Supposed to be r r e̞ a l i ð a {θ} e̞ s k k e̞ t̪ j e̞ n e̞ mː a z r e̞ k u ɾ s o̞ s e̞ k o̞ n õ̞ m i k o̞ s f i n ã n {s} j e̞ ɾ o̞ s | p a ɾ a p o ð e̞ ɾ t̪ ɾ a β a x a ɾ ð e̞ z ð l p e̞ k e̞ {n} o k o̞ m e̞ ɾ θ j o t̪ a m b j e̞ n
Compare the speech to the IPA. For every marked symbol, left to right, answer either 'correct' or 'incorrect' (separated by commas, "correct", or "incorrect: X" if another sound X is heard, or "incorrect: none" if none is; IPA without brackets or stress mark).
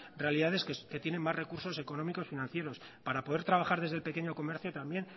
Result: incorrect: ð, incorrect: θ, incorrect: ɲ